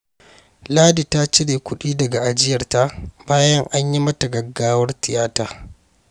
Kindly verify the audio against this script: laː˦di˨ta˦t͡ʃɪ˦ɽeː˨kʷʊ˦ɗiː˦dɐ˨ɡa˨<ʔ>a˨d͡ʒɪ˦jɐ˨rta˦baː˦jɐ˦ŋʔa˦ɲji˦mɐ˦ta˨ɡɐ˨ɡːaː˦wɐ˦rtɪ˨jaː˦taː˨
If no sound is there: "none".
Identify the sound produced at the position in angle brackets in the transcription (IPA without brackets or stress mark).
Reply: ʔ